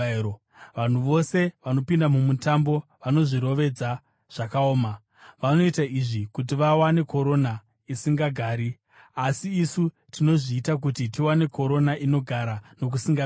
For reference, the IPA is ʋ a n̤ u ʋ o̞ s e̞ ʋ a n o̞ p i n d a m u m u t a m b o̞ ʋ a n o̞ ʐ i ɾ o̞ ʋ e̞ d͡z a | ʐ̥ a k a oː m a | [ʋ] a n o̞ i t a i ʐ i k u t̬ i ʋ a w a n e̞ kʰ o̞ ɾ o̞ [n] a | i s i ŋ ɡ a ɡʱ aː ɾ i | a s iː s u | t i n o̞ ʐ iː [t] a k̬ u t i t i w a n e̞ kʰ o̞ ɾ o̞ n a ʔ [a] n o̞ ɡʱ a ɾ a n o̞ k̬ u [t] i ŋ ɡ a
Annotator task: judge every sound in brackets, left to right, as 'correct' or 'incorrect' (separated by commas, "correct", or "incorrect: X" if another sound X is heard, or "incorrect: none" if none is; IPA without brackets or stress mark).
correct, correct, correct, incorrect: i, incorrect: s